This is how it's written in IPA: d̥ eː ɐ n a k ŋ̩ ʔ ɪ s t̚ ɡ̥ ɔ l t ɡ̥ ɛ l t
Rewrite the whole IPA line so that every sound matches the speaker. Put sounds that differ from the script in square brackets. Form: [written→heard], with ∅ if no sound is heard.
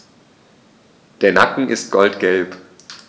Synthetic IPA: d̥ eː ɐ n a k ŋ̩ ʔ ɪ s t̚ ɡ̥ ɔ l t ɡ̥ ɛ l [t→p]

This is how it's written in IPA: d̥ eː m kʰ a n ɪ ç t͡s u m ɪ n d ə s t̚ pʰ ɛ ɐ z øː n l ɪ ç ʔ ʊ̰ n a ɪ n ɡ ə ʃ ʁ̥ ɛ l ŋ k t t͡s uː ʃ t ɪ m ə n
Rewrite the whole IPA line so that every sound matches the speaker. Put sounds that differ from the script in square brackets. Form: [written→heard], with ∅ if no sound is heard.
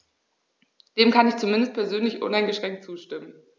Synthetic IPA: d̥ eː m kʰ a n ɪ ç t͡s u m ɪ n d ə s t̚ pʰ ɛ ɐ z øː n l ɪ ç ʔ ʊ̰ n a ɪ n ɡ ə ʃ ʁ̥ ɛ [l→∅] ŋ k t t͡s uː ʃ t ɪ m ə n

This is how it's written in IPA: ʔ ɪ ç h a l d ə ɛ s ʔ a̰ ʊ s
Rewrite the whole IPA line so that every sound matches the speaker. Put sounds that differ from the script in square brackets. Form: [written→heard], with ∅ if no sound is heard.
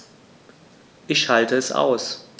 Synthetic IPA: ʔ ɪ ç [h→ʃ] a l [d→t] ə ɛ s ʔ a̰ ʊ s

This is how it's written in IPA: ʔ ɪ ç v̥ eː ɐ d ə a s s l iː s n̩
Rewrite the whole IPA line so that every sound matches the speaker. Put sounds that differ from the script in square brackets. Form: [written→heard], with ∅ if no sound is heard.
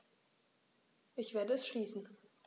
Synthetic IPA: ʔ ɪ ç v̥ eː ɐ d ə [a→ɛ] s [s→ʃ] l iː s n̩

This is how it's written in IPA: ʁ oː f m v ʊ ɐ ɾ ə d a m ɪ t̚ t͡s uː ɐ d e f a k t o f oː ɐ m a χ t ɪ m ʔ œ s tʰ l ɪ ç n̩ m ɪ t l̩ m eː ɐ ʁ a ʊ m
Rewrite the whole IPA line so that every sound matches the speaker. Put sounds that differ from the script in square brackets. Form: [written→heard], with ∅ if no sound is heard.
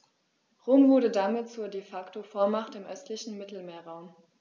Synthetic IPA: ʁ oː [f→∅] m v ʊ ɐ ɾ ə d a m ɪ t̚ t͡s uː ɐ d e f a k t o f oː ɐ m a χ t ɪ m ʔ œ s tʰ l ɪ ç n̩ m ɪ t l̩ m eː ɐ ʁ a ʊ m

